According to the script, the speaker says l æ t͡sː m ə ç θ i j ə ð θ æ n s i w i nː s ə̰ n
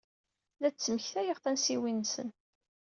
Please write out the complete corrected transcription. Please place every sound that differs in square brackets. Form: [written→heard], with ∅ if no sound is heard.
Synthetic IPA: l æ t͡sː m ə ç θ [i→æ] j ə [ð→ʁ] θ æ n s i w i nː s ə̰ n